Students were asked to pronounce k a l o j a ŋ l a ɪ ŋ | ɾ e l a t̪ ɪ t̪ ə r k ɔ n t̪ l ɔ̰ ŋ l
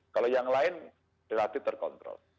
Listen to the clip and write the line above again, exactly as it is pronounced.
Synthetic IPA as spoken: k a l o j a ŋ l a ɪ n | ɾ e l a t̪ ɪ t̪ ə r k ɔ n t̪ ɾ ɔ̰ l